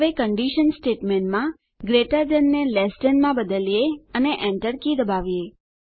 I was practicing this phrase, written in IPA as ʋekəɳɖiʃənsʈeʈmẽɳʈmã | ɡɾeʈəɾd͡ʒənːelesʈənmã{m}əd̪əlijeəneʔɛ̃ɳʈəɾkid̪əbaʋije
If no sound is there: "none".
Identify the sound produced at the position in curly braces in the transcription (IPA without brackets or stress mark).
b